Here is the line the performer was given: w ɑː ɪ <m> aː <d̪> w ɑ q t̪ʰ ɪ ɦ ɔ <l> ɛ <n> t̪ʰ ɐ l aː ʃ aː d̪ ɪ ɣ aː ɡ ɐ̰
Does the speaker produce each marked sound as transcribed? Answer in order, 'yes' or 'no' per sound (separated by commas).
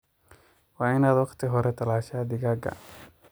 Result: no, yes, no, no